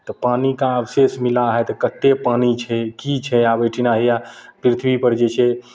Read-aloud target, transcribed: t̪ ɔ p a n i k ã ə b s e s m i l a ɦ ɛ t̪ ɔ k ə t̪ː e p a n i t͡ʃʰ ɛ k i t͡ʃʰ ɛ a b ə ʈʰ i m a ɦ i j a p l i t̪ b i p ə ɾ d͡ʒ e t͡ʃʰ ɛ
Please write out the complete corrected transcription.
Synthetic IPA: t̪ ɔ p a n i k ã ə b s e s m i l a ɦ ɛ t̪ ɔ k ə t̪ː e p a n i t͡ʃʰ ɛ k i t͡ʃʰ ɛ a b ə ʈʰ i n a ɦ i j a p ɾ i t̪ʰ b i p ə ɾ d͡ʒ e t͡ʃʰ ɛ